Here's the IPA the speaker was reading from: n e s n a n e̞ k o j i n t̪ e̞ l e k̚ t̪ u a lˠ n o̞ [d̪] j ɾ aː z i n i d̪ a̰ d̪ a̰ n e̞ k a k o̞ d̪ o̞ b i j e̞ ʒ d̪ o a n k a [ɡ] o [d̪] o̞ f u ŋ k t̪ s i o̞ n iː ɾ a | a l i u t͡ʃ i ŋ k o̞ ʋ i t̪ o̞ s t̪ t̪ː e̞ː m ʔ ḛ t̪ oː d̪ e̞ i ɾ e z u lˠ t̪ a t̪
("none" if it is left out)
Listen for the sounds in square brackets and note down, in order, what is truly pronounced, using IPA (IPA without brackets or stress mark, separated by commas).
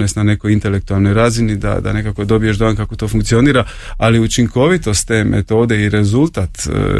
none, k, t̪